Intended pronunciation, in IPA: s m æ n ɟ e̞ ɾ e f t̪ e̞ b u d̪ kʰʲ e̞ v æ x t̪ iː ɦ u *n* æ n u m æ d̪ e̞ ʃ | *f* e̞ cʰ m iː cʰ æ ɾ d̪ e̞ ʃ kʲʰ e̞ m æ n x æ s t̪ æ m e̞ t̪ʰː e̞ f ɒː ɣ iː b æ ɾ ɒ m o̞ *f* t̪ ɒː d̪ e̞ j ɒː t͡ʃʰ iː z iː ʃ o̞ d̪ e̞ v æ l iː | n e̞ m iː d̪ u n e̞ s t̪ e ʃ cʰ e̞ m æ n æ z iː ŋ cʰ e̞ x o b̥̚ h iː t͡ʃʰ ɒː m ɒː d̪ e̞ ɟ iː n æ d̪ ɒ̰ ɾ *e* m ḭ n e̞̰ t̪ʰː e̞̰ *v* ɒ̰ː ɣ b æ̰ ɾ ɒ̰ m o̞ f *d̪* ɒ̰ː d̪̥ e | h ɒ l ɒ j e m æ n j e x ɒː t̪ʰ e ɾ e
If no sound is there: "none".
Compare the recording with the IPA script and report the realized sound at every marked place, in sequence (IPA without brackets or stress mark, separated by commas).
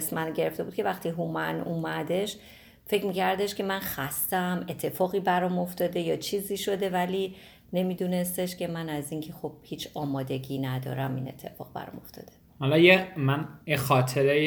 m, f, f, æ, f, t̪